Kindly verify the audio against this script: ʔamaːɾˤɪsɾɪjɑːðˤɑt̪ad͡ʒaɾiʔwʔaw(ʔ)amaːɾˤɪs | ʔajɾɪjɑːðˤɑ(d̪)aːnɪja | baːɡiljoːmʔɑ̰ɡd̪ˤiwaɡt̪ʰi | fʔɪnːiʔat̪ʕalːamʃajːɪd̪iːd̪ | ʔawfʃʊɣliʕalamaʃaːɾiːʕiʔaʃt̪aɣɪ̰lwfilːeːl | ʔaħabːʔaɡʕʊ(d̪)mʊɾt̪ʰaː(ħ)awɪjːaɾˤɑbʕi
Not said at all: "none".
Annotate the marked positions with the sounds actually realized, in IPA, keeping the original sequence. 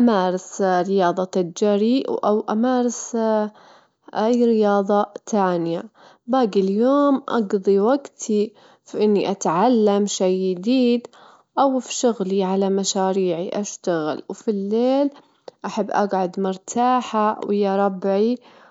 ʔ, t̪, d̪, ħ

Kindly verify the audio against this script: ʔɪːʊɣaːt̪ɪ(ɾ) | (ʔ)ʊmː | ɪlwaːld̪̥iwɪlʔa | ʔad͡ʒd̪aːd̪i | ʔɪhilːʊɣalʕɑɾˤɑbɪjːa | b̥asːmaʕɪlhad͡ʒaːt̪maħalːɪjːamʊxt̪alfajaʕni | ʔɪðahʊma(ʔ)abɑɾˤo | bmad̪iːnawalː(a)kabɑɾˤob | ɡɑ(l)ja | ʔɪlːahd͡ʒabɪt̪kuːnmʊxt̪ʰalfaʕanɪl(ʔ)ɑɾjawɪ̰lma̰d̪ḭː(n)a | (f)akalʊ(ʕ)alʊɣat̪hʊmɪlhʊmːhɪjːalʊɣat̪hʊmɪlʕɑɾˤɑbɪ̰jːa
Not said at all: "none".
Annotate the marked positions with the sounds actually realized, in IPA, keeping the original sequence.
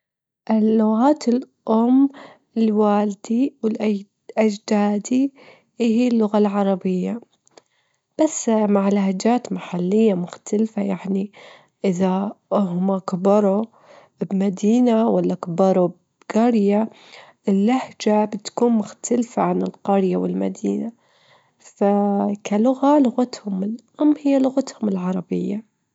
l, ʔ, k, a, ɾ, q, n, f, ɣ

